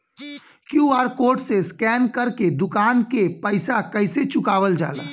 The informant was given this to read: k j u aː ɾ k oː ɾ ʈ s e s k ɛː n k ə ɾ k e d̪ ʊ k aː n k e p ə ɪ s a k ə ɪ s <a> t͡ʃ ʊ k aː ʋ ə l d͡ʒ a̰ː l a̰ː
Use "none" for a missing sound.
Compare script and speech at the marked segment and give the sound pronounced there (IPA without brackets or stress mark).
e